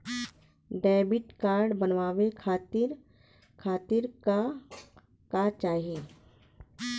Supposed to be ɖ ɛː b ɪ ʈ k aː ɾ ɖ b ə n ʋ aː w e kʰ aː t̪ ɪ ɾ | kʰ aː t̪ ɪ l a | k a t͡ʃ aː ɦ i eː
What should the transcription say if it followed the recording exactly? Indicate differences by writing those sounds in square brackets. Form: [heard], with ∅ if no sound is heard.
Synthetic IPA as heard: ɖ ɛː b ɪ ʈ k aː ɾ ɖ b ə n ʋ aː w e kʰ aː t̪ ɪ ɾ | kʰ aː t̪ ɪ [ɾ] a | k a t͡ʃ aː ɦ i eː